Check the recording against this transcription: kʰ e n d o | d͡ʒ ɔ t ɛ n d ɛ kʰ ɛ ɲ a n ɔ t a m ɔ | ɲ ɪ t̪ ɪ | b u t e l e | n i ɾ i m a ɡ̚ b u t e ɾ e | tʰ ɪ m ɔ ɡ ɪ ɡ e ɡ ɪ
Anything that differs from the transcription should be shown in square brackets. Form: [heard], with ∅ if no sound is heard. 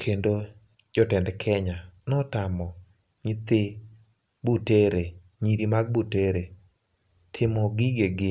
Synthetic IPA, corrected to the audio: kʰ e n d o | d͡ʒ ɔ t ɛ n d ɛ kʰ ɛ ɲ a n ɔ t a m ɔ | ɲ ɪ t̪ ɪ | b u t e [ɾ] e | [ɲ] i ɾ i m a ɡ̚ b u t e ɾ e | tʰ ɪ m ɔ ɡ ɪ ɡ e ɡ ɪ